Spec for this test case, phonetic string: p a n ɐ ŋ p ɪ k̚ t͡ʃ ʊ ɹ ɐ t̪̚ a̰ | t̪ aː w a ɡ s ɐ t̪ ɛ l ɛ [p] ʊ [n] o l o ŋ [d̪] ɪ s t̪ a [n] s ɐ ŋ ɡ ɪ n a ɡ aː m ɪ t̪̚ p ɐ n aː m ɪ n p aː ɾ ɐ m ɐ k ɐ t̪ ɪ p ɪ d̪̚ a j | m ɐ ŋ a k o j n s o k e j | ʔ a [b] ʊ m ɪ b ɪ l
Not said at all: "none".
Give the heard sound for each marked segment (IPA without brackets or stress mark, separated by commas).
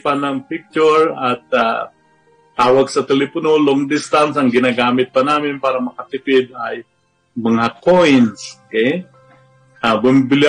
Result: p, n, d̪, n, b